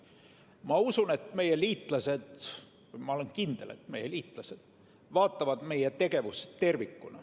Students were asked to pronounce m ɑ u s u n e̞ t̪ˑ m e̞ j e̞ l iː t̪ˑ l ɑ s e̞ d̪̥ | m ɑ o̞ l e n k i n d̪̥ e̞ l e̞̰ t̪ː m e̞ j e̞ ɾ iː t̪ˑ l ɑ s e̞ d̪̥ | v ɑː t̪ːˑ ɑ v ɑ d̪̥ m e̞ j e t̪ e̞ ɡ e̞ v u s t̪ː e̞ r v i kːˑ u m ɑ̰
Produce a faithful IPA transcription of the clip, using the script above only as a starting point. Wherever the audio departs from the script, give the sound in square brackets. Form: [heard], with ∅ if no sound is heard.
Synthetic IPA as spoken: m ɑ u s u n e̞ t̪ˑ m e̞ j e̞ l iː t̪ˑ l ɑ s e̞ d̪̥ | m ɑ o̞ l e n k i n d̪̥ e̞ l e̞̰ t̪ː m e̞ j e̞ [l] iː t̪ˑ l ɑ s e̞ d̪̥ | v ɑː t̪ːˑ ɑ v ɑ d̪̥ m e̞ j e t̪ e̞ ɡ e̞ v u s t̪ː e̞ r v i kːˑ u [n] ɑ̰